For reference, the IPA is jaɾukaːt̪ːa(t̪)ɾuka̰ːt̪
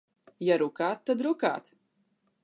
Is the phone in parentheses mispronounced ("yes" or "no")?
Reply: yes